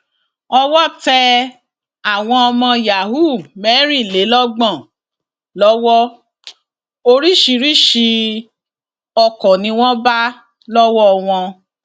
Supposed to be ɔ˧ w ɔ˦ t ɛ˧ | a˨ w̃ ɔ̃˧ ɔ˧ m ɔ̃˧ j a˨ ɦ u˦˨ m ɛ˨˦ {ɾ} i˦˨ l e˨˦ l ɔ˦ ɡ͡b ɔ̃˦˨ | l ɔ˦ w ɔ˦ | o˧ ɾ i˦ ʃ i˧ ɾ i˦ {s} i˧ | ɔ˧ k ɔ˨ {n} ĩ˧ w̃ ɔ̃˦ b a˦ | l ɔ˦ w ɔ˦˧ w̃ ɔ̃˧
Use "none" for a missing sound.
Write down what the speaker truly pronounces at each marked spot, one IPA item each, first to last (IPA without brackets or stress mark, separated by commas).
ɾ, ʃ, n